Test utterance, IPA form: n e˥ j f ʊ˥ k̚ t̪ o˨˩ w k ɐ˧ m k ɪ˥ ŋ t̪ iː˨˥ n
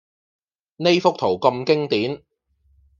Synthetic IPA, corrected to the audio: n e˥ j f ʊ˥ k̚ t̪ʰ o˨˩ w k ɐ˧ m k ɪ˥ ŋ t̪ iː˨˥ n